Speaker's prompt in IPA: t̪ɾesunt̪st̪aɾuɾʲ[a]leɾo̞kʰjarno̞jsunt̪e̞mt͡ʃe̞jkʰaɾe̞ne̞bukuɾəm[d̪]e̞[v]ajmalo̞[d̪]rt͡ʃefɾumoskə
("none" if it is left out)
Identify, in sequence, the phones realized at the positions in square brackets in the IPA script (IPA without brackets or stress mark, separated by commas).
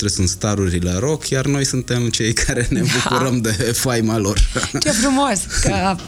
i, d̪, f, none